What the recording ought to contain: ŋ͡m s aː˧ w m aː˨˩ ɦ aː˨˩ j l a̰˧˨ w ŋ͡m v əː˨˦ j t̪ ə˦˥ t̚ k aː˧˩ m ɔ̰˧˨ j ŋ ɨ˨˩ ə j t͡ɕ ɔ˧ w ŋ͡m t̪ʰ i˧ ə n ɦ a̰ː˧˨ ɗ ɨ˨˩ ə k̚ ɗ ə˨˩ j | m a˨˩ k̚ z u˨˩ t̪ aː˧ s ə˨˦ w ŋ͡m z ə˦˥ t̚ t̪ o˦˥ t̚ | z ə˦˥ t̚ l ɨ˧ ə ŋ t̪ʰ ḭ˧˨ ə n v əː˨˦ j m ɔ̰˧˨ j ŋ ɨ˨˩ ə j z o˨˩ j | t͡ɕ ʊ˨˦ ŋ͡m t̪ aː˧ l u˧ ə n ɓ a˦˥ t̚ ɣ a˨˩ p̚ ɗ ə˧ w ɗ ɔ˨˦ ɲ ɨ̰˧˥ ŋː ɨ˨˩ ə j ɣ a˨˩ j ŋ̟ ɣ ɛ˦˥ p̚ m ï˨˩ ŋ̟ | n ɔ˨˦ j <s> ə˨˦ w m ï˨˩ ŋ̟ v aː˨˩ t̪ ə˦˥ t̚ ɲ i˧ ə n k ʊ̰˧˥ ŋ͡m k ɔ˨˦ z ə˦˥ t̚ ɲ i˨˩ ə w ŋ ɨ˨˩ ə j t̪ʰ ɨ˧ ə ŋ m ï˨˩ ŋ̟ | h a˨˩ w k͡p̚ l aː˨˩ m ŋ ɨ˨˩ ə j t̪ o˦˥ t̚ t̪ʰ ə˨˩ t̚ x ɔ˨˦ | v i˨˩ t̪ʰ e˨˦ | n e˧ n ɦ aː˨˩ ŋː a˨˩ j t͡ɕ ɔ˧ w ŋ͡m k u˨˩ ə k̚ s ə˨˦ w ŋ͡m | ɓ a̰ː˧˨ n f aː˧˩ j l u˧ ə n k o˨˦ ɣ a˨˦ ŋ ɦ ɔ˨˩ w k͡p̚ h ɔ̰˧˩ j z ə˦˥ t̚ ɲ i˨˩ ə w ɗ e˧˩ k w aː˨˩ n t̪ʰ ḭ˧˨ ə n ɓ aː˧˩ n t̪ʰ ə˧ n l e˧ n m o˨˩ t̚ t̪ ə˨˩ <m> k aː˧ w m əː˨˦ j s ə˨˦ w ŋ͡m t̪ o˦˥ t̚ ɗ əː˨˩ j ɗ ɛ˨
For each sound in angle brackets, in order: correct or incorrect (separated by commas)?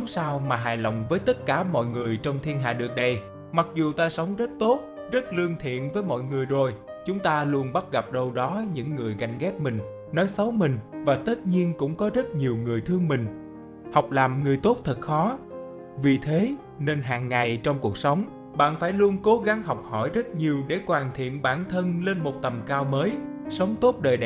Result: correct, correct